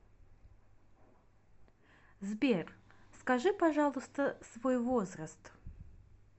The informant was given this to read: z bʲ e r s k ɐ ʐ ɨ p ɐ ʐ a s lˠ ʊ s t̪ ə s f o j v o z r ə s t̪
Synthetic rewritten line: z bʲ e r s k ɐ ʐ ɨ p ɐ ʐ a lˠ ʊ s t̪ ə s v o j v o z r ə s t̪